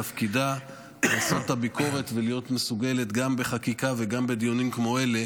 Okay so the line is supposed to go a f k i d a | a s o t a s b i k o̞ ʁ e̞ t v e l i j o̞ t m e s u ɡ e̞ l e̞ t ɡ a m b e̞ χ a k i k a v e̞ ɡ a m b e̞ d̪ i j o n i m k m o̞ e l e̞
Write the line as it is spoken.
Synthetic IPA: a f k i d a | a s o t a b i k o̞ ʁ e̞ t v e l i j o̞ t m e s u ɡ e̞ l e̞ t ɡ a m b e̞ χ a k i k a v e̞ ɡ a m b e̞ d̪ i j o n i m k m o̞ e l e̞